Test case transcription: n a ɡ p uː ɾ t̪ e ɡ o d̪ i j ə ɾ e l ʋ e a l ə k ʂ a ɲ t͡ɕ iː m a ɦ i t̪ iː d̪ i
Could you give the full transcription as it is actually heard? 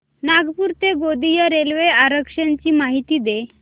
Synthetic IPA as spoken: n a ɡ p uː ɾ t̪ e ɡ o d̪ i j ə ɾ e l ʋ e a ɾ ə k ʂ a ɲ t͡ɕ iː m a ɦ i t̪ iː d̪ e

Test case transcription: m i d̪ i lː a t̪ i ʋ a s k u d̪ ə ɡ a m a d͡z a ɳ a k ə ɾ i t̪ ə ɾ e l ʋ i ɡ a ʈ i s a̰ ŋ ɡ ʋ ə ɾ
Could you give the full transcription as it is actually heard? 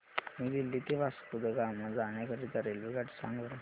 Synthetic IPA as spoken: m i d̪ i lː i t̪ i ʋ a s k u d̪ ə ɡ a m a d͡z a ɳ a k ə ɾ i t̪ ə ɾ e l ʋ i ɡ a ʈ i s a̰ ŋ ɡ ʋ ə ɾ

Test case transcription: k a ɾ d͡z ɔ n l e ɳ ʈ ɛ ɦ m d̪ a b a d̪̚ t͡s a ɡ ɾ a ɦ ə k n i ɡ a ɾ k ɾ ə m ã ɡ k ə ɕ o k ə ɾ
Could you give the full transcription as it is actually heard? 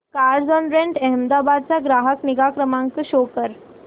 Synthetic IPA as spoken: k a ɾ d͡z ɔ n ɾ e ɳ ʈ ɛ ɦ m d̪ a b a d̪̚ t͡s a ɡ ɾ a ɦ ə k n i ɡ a k ɾ ə m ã ŋ k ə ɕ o k ə ɾ

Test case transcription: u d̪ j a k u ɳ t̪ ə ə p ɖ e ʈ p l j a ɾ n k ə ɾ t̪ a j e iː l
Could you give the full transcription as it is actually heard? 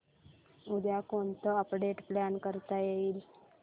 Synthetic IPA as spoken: u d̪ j a k o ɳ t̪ ə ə p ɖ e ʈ p l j a n k ə ɾ t̪ a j e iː l

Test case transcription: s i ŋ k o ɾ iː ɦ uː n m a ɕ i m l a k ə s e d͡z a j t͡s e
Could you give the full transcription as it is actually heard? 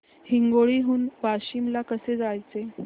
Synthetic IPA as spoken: h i ŋ ɡ o ɭ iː ɦ uː n b a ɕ i m l a k ə s e d͡z a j t͡s e

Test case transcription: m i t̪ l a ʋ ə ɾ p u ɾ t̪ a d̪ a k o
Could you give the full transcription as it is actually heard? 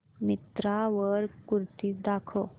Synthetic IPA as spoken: m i t̪ ɾ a ʋ ə ɾ k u ɾ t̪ i d̪ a kʰ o

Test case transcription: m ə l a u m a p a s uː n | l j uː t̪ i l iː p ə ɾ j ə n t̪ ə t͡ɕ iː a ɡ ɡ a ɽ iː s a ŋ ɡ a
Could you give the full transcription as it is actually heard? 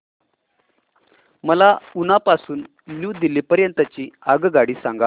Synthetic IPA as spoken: m ə l a u n a p a s uː n | l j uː d̪ i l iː p ə ɾ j ə n t̪ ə t͡ɕ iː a ɡ ɡ a ɽ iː s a ŋ ɡ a

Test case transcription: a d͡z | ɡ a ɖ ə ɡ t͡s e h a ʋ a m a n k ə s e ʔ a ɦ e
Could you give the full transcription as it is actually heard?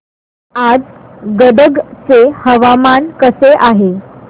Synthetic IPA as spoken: a d͡z | ɡ ə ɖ ə ɡ t͡s e h ə ʋ a m a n k ə s e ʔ a ɦ e

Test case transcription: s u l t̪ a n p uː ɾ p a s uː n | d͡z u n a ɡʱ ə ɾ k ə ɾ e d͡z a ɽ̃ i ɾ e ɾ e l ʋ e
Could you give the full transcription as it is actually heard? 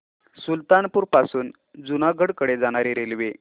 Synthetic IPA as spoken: s u l t̪ a n p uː ɾ p a s uː n | d͡z u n a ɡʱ ə ɽ k ə ɽ e d͡z a ɽ̃ a ɾ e ɾ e l ʋ e

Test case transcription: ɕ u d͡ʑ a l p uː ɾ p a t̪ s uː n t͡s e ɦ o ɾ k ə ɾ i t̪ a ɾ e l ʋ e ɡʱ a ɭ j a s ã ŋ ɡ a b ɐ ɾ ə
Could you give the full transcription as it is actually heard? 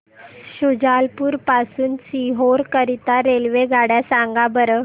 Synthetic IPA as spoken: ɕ u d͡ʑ a l p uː ɾ p a s uː n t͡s i ɦ o ɾ k ə ɾ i t̪ a ɾ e l ʋ e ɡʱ a ɽ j a s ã ŋ ɡ a b ə ɾ ə

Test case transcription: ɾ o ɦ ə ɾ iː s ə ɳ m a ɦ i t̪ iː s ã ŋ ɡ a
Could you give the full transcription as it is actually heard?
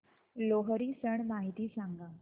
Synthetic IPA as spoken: l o ɦ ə ɾ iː s ə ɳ m a ɦ i t̪ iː s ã ŋ ɡ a

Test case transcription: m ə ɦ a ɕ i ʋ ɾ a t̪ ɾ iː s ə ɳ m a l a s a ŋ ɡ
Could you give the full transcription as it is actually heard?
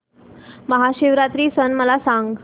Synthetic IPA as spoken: m ə ɦ a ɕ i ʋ ɾ a t̪ ɾ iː s ə n m ə l a s a ŋ ɡ

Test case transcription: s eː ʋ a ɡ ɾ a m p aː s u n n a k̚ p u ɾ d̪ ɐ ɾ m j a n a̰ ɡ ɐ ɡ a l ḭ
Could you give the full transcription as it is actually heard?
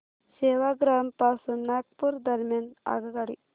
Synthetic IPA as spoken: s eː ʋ a ɡ ɾ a m p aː s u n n a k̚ p u ɾ d̪ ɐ ɾ m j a n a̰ ɡ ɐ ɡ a ɽ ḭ

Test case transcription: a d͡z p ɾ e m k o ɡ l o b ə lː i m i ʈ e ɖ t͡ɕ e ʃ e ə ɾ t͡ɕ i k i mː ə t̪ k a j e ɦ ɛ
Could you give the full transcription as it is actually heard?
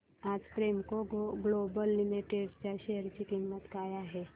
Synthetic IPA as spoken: a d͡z p ɾ e m k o ɡ l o b ə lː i m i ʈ e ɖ t͡ɕ a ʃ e ə ɾ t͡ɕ i k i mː ə t̪ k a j a ɦ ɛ

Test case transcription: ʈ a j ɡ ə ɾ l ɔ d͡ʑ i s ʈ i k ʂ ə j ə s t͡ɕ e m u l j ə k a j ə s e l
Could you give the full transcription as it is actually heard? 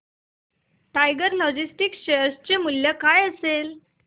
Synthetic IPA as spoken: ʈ a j ɡ ə ɾ l ɔ d͡ʑ i s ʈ i k ɕ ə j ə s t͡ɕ e m u l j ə k a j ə s e l

